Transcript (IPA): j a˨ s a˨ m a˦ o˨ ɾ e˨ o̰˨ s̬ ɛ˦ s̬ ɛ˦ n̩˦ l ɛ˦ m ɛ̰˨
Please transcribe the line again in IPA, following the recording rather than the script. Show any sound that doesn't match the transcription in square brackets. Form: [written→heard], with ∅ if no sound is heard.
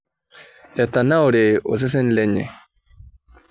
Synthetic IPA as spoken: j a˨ [s→t] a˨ [m→n] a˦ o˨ ɾ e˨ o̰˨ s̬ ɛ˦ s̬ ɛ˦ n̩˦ l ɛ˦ [m→ɲ] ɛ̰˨